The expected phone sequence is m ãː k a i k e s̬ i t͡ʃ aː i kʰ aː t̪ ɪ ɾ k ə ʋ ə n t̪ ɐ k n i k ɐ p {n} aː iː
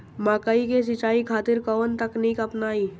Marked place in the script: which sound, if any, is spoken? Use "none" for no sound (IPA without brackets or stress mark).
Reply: n